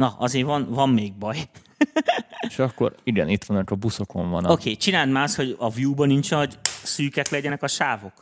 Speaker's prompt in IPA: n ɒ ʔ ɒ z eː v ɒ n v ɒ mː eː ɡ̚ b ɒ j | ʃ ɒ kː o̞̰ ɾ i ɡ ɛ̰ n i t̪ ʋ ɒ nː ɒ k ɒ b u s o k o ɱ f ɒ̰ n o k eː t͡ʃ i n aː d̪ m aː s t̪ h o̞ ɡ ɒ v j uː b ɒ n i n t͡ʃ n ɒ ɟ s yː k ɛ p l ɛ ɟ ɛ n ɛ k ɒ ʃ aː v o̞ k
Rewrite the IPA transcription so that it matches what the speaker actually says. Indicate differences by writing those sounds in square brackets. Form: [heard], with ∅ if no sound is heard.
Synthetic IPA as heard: n ɒ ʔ ɒ z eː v ɒ n v ɒ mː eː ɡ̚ b ɒ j | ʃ ɒ kː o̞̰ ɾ i ɡ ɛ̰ n i t̪ ʋ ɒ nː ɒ k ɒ b u s o k o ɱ [v] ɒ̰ n o k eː t͡ʃ i n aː d̪ m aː s t̪ h o̞ [ɟ] ɒ v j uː b ɒ n i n t͡ʃ n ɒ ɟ s yː k ɛ [k] l ɛ ɟ ɛ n ɛ k ɒ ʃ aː v o̞ k